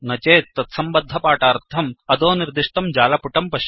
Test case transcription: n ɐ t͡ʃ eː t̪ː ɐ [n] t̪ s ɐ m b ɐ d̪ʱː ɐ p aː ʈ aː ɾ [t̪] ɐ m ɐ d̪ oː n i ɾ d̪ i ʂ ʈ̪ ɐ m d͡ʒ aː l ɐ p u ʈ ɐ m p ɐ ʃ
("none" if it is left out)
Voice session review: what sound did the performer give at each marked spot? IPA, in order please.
none, t̪ʰ

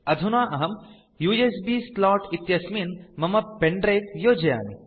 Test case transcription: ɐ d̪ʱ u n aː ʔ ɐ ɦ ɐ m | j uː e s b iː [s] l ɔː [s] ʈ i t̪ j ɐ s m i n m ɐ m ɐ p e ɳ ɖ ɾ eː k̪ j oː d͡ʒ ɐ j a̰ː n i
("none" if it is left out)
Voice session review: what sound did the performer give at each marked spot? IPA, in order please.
s, none

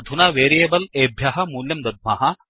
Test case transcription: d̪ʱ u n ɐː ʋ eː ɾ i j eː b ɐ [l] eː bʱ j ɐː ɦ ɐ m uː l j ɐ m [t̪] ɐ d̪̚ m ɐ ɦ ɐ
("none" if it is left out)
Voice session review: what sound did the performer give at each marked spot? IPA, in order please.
l, d̪

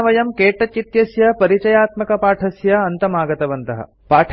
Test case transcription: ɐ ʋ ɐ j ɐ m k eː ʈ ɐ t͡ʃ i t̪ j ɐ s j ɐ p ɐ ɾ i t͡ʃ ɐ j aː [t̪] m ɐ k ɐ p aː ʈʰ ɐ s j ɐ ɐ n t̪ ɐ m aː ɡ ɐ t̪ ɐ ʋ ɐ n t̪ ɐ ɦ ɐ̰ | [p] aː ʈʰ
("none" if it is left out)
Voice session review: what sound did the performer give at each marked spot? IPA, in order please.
t̪, p

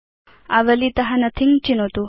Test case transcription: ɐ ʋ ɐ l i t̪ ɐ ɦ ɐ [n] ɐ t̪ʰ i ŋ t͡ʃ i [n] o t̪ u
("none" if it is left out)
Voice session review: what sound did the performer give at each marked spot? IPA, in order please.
n, n

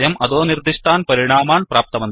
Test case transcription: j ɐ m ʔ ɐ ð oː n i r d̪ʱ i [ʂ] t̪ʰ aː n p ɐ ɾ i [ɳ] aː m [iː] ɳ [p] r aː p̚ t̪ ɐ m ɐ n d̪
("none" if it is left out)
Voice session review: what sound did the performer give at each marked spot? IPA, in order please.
ʂ, ɳ, aː, p

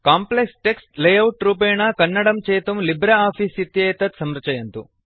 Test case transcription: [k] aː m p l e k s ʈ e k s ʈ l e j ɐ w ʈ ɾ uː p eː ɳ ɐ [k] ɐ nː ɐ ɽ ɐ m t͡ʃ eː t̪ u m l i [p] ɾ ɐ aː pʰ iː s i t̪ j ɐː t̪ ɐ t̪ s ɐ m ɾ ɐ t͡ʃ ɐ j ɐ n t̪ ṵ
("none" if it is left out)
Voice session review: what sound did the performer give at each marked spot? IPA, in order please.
k, k, b

